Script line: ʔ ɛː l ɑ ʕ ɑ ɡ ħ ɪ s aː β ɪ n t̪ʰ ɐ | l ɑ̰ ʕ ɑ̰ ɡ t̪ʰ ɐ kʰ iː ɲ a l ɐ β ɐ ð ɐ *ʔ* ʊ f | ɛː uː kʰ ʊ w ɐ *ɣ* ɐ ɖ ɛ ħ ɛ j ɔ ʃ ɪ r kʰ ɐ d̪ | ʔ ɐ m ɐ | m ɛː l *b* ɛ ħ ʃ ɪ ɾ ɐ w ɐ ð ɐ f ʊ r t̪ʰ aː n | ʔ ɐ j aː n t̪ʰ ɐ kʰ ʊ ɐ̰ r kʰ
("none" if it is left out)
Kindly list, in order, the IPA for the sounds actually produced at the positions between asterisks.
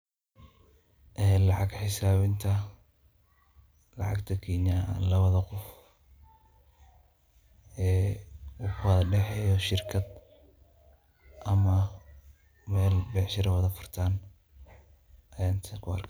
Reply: q, ð, b

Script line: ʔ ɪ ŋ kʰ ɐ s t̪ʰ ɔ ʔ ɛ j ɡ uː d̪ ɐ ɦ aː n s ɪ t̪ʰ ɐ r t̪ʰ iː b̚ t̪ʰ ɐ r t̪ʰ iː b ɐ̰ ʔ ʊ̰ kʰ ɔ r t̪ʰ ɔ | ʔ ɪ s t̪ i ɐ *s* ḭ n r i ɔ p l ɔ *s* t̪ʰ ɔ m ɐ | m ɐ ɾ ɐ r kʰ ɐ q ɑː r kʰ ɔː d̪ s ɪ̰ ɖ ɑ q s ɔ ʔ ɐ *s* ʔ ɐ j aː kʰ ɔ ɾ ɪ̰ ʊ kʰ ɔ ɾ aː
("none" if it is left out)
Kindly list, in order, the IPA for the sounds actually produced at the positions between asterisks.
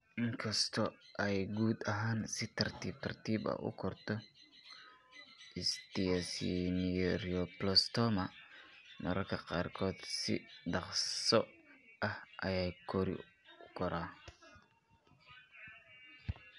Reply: s, s, h

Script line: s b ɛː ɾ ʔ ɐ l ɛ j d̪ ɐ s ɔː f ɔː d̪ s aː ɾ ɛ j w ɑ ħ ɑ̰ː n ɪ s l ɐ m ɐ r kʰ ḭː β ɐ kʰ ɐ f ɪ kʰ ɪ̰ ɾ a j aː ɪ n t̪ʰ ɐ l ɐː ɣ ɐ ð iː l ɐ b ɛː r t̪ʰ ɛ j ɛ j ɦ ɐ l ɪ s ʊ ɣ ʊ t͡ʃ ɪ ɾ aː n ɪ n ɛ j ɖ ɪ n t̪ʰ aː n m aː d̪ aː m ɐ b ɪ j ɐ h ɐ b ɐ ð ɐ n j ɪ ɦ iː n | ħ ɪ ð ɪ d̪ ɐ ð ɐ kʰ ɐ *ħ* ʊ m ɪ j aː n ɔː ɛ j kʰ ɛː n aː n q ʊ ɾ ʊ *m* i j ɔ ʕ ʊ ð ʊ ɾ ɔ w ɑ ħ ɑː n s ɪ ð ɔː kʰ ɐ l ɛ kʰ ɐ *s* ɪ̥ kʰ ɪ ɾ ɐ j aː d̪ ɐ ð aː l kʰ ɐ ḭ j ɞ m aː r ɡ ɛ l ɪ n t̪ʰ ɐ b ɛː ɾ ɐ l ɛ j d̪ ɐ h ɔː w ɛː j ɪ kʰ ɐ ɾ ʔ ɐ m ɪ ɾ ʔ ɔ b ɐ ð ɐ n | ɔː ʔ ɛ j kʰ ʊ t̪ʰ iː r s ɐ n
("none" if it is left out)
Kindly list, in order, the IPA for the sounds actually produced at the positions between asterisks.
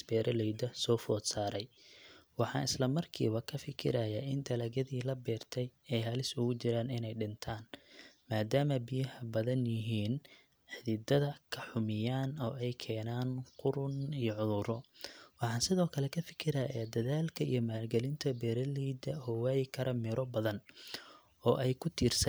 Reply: ħ, n, f

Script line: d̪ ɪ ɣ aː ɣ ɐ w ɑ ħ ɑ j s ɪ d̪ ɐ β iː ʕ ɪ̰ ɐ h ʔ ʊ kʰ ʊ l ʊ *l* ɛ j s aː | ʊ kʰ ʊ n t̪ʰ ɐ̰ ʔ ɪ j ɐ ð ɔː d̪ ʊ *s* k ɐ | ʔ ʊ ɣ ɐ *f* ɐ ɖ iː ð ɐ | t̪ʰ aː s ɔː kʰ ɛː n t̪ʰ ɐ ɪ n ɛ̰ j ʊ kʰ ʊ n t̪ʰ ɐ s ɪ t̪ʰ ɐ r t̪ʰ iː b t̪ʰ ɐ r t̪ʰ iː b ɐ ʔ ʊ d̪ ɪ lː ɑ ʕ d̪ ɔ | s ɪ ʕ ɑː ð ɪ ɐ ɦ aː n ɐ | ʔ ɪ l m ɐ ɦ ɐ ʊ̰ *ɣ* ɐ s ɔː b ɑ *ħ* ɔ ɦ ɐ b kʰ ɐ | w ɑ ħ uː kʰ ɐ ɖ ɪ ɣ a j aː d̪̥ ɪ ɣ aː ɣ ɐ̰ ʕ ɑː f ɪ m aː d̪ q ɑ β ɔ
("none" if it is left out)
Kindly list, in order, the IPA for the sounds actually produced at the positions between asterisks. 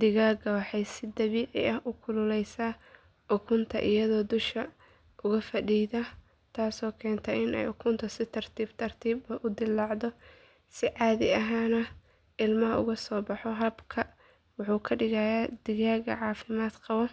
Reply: l, ʃ, f, ɣ, ħ

